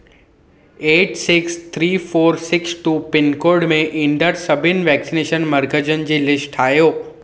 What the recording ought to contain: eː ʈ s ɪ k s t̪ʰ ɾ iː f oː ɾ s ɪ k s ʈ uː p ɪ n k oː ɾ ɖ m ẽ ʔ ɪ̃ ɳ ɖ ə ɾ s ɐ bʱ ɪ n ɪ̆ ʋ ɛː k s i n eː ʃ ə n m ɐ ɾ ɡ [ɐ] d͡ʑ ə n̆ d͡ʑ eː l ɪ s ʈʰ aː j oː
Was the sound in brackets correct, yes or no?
no